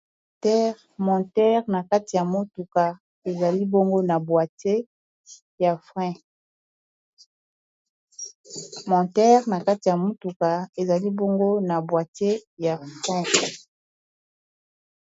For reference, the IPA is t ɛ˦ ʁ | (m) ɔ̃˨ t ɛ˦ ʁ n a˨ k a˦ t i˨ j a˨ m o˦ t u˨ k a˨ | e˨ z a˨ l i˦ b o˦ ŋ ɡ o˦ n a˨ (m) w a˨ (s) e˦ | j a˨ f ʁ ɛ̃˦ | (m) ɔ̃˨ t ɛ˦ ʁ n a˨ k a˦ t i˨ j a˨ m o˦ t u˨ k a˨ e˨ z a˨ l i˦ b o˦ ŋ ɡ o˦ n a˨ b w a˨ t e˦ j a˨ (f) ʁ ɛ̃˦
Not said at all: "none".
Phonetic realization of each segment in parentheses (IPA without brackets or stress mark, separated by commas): m, b, t, m, f